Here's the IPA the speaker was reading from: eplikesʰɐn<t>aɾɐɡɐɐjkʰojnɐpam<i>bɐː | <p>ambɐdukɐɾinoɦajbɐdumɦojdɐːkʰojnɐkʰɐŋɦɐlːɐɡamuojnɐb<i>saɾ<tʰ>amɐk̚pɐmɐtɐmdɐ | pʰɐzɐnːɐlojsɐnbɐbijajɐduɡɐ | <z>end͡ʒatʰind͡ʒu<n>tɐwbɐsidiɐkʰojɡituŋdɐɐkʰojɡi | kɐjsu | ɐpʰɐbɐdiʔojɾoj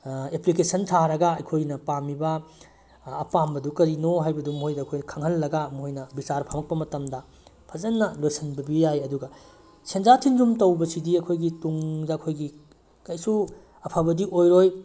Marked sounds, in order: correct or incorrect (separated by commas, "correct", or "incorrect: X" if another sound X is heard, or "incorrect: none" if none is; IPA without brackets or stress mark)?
incorrect: tʰ, correct, correct, correct, incorrect: pʰ, incorrect: s, incorrect: m